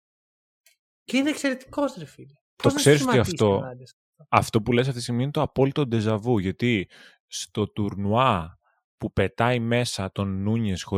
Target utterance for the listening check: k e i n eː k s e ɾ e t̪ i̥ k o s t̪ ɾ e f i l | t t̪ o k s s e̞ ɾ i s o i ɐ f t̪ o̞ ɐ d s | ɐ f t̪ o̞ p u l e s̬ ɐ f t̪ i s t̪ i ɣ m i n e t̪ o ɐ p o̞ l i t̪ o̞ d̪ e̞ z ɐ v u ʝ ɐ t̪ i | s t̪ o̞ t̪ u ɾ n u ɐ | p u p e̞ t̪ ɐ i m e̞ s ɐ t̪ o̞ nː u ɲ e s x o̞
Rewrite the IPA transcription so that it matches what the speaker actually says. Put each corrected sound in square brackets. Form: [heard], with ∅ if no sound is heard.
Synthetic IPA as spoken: [c] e i n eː k s e ɾ e t̪ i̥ k o s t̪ ɾ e f i l | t t̪ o k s s e̞ ɾ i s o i ɐ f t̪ o̞ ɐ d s | ɐ f t̪ o̞ p u l e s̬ ɐ f t̪ i s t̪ i ɣ m i n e t̪ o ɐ p o̞ l i t̪ o̞ d̪ e̞ z ɐ v u ʝ ɐ t̪ i | s t̪ o̞ t̪ u ɾ n u ɐ | p u p e̞ t̪ ɐ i m e̞ s ɐ t̪ o̞ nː u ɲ e s x o̞